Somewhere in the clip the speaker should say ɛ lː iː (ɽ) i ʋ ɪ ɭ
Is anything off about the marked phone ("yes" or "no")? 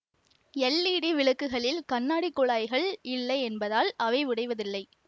no